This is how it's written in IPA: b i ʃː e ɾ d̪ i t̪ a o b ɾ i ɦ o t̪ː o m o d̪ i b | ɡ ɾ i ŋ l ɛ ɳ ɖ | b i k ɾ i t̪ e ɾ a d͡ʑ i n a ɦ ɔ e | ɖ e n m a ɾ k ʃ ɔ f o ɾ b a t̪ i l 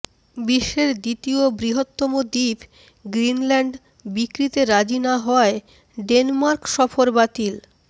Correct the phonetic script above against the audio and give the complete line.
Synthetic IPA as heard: b i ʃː e ɾ d̪ i t̪ i o b ɾ i ɦ o t̪ː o m o d̪ i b | ɡ ɾ i n l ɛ ɳ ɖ | b i k ɾ i t̪ e ɾ a d͡ʑ i n a ɦ ɔ e | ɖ e n m a ɾ k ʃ ɔ f o ɾ b a t̪ i l